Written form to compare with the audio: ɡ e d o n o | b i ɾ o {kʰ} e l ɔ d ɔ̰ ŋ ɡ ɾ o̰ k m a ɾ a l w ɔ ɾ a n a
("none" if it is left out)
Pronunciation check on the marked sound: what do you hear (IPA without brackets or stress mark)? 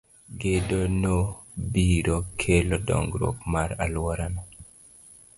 kʰ